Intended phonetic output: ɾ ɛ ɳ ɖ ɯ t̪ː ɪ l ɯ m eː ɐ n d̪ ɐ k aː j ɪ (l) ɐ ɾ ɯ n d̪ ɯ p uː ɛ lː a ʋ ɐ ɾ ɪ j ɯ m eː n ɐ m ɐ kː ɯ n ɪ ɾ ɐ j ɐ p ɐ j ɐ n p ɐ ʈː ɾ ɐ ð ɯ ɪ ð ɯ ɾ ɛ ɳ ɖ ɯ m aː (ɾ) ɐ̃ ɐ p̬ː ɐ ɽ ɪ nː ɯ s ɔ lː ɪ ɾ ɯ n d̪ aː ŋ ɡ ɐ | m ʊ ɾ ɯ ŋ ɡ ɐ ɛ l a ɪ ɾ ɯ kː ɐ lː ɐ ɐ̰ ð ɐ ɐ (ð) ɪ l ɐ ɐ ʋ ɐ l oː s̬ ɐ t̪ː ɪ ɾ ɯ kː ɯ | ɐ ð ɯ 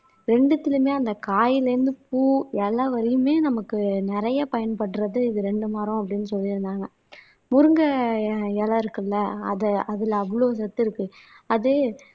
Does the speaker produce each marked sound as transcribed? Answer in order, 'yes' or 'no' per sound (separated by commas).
yes, yes, yes